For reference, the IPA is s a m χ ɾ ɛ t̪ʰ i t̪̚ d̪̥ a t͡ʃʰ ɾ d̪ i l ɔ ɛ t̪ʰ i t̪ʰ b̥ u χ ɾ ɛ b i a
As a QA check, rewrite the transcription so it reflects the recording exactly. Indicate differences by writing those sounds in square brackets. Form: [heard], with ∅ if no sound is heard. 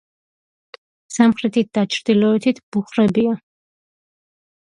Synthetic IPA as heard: s a m χ ɾ ɛ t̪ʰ i t̪̚ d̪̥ a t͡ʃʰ ɾ d̪ i l ɔ ɛ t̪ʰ i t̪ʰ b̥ u χ ɾ ɛ b i a

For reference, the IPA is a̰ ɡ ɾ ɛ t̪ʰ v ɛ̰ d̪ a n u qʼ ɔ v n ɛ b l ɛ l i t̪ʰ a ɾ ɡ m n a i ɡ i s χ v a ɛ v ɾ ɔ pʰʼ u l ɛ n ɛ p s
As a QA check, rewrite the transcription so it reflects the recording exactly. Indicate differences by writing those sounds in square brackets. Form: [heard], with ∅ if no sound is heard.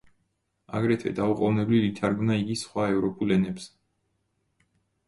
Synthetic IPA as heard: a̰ ɡ ɾ ɛ t̪ʰ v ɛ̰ d̪ a [∅] u qʼ ɔ v n ɛ b l [i] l i t̪ʰ a ɾ ɡ m n a i ɡ i s χ [w] a ɛ v ɾ ɔ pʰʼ u l ɛ n ɛ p s

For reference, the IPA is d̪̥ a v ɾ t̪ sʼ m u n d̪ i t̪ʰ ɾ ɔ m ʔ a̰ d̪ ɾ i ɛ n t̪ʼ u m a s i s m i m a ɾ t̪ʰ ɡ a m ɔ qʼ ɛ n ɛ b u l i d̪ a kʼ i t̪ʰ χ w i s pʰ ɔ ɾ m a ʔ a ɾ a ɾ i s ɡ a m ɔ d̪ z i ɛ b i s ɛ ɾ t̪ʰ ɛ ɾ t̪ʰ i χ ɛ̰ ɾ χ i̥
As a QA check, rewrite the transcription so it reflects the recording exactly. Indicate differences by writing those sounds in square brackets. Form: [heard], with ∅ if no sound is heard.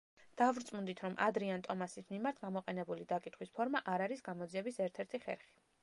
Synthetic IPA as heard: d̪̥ a v ɾ t̪ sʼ m u n d̪ i t̪ʰ ɾ ɔ m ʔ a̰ d̪ ɾ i [a] n t̪ʼ [ɔ] m a s i s m i m a ɾ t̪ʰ ɡ a m ɔ qʼ ɛ n ɛ b u l i d̪ a kʼ i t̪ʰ χ w i s pʰ ɔ ɾ m a ʔ a ɾ a ɾ i s ɡ a m ɔ d̪ z i ɛ b i s ɛ ɾ t̪ʰ ɛ ɾ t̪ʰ i χ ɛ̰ ɾ χ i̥

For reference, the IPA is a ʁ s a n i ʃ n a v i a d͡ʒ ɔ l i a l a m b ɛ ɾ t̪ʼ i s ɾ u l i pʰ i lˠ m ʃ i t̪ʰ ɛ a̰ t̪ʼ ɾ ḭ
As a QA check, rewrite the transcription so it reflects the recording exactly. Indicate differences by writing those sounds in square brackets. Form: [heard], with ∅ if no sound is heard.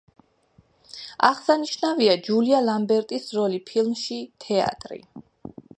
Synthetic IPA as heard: a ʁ s a n i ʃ n a v i a d͡ʒ [u] l i a l a m b ɛ ɾ t̪ʼ i s ɾ [ɔ] l i pʰ i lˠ m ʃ i t̪ʰ ɛ a̰ t̪ʼ ɾ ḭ

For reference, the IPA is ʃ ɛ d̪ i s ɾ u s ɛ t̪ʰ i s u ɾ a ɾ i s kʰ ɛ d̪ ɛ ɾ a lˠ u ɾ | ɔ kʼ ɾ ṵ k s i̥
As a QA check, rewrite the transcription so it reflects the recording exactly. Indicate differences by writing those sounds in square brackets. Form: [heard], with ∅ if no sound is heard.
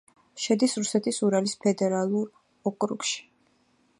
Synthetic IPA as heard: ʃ ɛ d̪ i s ɾ u s ɛ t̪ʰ i s u ɾ a [l] i s [pʰ] ɛ d̪ ɛ ɾ a lˠ u ɾ | ɔ kʼ ɾ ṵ k [ʃ] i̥

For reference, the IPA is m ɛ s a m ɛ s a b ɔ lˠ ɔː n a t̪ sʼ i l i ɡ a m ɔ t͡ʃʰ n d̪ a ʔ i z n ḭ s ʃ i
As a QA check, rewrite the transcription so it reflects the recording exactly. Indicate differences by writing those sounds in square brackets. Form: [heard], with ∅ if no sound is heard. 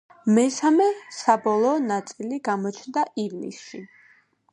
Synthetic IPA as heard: m ɛ s a m ɛ s a b ɔ lˠ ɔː n a t̪ sʼ i l i ɡ a m ɔ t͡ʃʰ n d̪ a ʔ i [v] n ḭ s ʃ i

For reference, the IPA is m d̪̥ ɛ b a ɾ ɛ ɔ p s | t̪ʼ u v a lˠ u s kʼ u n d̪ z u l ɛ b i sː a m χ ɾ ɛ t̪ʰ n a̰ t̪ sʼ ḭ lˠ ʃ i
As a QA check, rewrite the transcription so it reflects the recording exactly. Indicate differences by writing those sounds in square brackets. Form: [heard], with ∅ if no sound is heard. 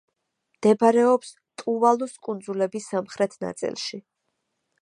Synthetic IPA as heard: m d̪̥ ɛ b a ɾ ɛ ɔ p s | t̪ʼ u v a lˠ u s kʼ u n d̪ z u l ɛ b i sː a m χ ɾ ɛ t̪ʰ n a̰ t̪ sʼ ḭ lˠ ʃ i

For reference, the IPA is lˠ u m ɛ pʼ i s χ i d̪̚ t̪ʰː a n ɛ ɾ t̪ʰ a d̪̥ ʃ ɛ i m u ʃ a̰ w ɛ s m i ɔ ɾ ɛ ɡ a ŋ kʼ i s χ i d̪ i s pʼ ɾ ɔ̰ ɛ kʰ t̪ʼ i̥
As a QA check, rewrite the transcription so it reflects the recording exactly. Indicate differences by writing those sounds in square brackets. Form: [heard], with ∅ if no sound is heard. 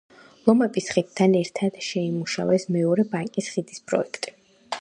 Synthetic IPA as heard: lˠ [ɔ] m ɛ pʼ i s χ i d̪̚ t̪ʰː a n ɛ ɾ t̪ʰ a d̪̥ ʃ ɛ i m u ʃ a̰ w ɛ s m [ɛ] ɔ ɾ ɛ [b] a ŋ kʼ i s χ i d̪ i s pʼ ɾ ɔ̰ ɛ kʰ t̪ʼ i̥

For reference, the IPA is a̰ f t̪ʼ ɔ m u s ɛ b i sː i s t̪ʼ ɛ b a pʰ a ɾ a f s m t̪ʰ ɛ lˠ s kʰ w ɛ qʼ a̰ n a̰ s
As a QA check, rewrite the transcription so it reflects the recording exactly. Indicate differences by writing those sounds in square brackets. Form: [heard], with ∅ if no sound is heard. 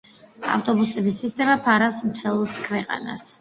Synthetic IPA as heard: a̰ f t̪ʼ ɔ [b] u s ɛ b i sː i s t̪ʼ ɛ [m] a pʰ a ɾ a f s m t̪ʰ ɛ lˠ s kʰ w ɛ qʼ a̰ n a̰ s

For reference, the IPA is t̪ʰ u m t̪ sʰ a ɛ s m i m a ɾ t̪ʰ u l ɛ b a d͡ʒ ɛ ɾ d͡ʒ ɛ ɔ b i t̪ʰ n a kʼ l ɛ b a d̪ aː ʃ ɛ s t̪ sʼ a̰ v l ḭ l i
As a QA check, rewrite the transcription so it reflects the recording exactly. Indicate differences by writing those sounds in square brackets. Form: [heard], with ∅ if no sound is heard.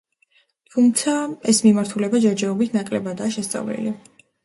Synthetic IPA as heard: t̪ʰ u m t̪ sʰ a ɛ s m i m a ɾ t̪ʰ u l ɛ b a d͡ʒ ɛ ɾ d͡ʒ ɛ ɔ b i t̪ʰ n a kʼ l ɛ b a d̪ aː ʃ ɛ s t̪ sʼ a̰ v l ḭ l i

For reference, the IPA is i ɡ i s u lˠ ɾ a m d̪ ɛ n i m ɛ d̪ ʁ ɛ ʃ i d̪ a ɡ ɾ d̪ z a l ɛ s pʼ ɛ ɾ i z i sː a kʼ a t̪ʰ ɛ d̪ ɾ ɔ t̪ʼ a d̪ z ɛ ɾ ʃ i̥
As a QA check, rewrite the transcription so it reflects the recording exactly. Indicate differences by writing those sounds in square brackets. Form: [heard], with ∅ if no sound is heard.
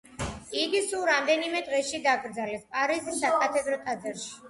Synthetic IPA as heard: i ɡ i s u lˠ ɾ a m d̪ ɛ n i m ɛ d̪ ʁ ɛ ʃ i d̪ a ɡ ɾ d̪ z a l ɛ s pʼ [a] ɾ i z i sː a kʼ a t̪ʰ ɛ d̪ ɾ ɔ t̪ʼ a d̪ z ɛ ɾ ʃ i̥

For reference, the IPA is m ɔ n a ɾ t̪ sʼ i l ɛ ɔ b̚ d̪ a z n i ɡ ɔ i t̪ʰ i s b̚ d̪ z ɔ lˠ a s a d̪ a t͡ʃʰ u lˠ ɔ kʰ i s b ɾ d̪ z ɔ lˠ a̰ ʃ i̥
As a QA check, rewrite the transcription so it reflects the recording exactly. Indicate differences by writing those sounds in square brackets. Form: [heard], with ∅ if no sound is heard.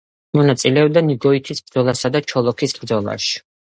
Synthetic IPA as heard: m ɔ n a [∅] t̪ sʼ i l ɛ ɔ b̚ d̪ a [∅] n i ɡ ɔ i t̪ʰ i s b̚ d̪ z ɔ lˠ a s a d̪ a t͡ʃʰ [ɔ] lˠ ɔ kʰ i s b ɾ d̪ z ɔ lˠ a̰ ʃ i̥

